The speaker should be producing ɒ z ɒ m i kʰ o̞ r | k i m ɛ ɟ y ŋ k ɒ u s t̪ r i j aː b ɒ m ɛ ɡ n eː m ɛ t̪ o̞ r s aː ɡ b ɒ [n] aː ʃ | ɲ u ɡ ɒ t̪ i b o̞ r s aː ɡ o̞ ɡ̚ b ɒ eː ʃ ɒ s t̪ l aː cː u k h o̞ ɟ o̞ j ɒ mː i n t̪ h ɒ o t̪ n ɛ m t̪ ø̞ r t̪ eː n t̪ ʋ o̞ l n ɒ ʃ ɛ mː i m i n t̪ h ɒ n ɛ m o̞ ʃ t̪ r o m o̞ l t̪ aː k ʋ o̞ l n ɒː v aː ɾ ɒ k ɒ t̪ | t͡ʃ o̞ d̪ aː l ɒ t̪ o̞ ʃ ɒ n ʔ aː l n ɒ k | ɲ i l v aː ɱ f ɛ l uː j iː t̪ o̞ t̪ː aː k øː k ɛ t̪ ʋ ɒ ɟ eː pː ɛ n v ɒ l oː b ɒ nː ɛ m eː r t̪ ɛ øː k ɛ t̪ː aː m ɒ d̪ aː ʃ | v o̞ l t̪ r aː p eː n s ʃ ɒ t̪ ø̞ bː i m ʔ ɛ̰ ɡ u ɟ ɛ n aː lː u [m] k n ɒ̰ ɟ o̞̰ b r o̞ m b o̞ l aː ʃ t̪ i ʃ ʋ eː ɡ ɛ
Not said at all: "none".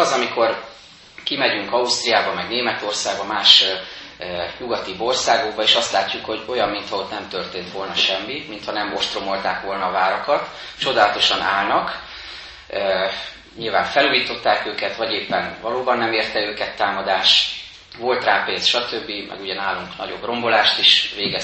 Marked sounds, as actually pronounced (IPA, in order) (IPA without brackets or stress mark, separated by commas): m, ŋ